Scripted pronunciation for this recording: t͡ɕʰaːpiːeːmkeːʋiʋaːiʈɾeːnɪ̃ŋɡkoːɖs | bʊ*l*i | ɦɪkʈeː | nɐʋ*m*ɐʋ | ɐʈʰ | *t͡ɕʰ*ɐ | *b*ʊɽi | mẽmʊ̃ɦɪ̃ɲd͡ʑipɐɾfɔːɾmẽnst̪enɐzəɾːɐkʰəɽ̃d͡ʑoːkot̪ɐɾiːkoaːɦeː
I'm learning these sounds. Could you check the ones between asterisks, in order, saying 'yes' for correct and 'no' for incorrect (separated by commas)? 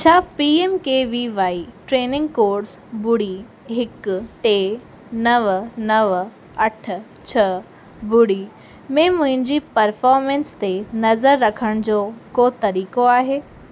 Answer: no, no, yes, yes